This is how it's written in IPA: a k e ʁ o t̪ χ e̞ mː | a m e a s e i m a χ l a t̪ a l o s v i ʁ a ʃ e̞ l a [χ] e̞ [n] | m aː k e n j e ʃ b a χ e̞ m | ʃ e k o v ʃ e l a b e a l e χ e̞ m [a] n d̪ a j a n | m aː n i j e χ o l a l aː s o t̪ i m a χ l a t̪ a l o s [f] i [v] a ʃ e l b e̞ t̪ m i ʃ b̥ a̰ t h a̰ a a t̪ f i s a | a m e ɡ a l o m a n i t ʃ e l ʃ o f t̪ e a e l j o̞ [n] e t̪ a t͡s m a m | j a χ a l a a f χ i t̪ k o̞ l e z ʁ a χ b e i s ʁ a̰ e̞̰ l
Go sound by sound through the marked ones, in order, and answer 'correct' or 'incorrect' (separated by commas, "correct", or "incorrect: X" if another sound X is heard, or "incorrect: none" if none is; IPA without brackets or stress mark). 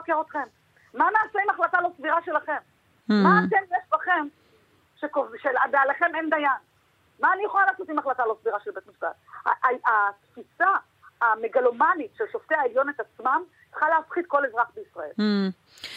correct, incorrect: m, incorrect: e, incorrect: v, incorrect: ʁ, correct